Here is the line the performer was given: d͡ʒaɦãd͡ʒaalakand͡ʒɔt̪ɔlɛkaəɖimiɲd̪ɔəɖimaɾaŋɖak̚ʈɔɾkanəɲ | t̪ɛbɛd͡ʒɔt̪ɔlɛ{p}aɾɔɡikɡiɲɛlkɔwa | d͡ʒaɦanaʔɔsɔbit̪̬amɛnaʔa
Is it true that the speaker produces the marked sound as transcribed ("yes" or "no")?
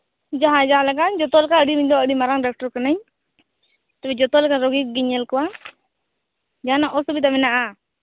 no